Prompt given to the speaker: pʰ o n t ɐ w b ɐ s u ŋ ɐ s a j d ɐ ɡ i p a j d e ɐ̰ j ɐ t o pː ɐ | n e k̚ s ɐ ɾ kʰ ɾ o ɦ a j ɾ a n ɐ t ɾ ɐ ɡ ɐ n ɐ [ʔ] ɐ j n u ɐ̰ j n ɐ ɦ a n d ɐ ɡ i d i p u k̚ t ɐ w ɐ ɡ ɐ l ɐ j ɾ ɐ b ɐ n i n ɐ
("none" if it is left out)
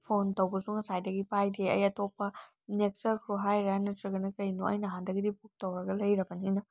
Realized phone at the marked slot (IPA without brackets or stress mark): k